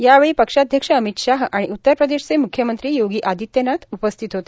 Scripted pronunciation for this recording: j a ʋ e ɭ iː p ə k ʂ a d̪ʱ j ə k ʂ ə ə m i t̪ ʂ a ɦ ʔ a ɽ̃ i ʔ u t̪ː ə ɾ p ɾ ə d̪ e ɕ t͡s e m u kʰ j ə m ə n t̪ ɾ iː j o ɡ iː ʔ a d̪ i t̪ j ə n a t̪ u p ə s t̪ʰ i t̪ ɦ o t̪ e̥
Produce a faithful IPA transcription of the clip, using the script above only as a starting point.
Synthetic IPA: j a ʋ e ɭ iː p ə k ʂ a d̪ʱ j ə k ʂ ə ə m i t̪ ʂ a ɦ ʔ a ɽ̃ i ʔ u t̪ː ə ɾ p ɾ ə d̪ e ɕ t͡s e m u kʰ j ə m ə n t̪ ɾ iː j o ɡ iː ʔ a d̪ i t̪ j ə n a t̪ u p ə s t̪ʰ i t̪ ɦ o t̪ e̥